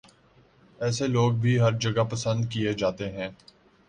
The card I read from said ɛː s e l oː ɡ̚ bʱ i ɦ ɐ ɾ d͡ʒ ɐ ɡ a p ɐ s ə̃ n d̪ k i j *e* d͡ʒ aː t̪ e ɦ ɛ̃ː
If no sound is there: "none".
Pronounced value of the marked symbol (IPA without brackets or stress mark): e